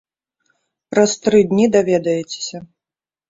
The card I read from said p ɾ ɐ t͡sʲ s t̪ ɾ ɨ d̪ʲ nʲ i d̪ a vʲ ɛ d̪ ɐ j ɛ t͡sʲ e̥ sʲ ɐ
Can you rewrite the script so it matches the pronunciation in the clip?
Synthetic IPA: p ɾ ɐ s t̪ ɾ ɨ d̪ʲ nʲ i d̪ a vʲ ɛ d̪ ɐ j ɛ t͡sʲ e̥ sʲ ɐ

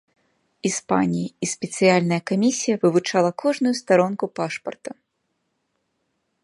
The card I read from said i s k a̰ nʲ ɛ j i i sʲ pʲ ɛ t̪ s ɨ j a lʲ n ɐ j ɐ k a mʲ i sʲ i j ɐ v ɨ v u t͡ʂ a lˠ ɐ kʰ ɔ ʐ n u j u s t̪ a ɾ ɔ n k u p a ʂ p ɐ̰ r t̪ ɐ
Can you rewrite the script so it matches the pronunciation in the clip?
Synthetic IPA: i s p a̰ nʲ i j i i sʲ pʲ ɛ t̪ s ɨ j a lʲ n ɐ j ɐ k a mʲ i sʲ i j ɐ v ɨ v u t͡ʂ a lˠ ɐ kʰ ɔ ʐ n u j u s t̪ a ɾ ɔ n k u p a ʂ p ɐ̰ r t̪ ɐ

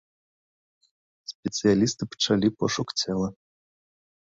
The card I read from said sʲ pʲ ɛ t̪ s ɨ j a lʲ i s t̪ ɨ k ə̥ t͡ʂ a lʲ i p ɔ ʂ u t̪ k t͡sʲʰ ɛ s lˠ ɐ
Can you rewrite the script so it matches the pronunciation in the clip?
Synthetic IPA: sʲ pʲ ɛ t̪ s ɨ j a lʲ i s t̪ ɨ p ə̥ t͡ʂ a lʲ i p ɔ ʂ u k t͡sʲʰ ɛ lˠ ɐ

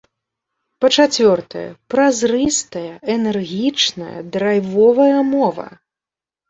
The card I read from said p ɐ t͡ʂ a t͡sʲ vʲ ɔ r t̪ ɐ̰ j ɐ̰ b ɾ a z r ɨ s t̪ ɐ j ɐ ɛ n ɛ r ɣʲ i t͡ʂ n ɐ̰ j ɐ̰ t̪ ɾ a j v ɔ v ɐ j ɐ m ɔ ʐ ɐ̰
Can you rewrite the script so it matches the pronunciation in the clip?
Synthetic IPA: p ɐ t͡ʂ a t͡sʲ vʲ ɔ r t̪ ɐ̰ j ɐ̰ p ɾ a z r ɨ s t̪ ɐ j ɐ ɛ n ɛ r ɣʲ i t͡ʂ n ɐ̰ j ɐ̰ d̪ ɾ a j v ɔ v ɐ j ɐ m ɔ v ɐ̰

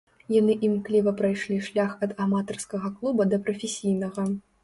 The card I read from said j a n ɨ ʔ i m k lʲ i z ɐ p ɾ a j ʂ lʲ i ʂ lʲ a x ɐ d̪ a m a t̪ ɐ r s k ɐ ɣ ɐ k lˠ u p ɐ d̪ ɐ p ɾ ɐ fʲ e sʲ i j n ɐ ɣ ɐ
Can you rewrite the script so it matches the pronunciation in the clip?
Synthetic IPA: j a n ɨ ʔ i m k lʲ i v ɐ p ɾ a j ʂ lʲ i ʂ lʲ a x ɐ d̪ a m a t̪ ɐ r s k ɐ ɣ ɐ k lˠ u b ɐ d̪ ɐ p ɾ ɐ fʲ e sʲ i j n ɐ ɣ ɐ

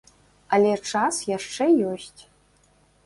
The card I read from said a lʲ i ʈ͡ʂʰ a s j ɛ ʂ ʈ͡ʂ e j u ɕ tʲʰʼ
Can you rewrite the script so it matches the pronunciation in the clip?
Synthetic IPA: a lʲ e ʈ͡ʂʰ a s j a ʂ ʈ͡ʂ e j o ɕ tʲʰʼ

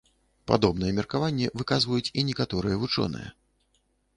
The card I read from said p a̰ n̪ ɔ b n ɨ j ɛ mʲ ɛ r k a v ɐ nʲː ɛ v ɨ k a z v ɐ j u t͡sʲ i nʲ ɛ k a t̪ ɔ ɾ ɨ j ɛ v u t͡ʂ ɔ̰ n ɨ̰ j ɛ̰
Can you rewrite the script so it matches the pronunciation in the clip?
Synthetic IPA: p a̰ d̪ ɔ b n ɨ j ɛ mʲ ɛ r k a v a nʲː ɛ v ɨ k a z v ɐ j u t͡sʲ i nʲ ɛ k a t̪ ɔ ɾ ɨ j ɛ v u t͡ʂ ɔ̰ n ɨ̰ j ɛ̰

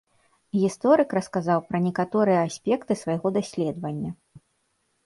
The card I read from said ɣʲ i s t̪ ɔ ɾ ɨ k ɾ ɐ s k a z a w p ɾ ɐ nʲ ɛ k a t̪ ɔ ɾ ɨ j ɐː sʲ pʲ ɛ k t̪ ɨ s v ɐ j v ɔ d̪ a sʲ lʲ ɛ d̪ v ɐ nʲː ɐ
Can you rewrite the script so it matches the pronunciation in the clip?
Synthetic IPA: ɣʲ i s t̪ ɔ ɾ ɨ k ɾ ɐ s k a z a w p ɾ ɐ nʲ ɛ k a t̪ ɔ ɾ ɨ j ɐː sʲ pʲ ɛ k t̪ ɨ s v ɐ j ɣ ɔ d̪ a sʲ lʲ ɛ d̪ v ɐ nʲː ɐ

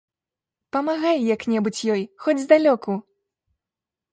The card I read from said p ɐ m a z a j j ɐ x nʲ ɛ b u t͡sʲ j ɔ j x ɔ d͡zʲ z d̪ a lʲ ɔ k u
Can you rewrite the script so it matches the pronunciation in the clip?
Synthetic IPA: p ɐ m a ɣ a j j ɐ k nʲ ɛ b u t͡sʲ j ɔ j x ɔ d͡zʲ z d̪ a lʲ ɔ k u

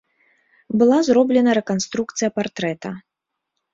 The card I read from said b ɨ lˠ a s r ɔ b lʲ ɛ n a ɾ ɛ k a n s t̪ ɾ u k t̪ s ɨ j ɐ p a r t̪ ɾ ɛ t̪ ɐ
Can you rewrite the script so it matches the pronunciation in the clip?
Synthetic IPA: b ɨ lˠ a z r ɔ b lʲ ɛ n ɐ ɾ ɛ k a n s t̪ ɾ u k t̪ s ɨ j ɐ p a r t̪ ɾ ɛ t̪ ɐ

